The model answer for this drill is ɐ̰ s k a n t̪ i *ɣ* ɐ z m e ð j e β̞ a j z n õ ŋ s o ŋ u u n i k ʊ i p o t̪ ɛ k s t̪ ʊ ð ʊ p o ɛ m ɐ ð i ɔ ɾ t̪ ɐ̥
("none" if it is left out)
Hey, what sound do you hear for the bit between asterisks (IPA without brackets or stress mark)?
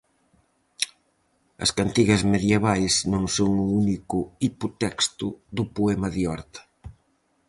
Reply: ɣ